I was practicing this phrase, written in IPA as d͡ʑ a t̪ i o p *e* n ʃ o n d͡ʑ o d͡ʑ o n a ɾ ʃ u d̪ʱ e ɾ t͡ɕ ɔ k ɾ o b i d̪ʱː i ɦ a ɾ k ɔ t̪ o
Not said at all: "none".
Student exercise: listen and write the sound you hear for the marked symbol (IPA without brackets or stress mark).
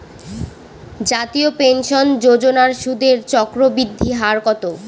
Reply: e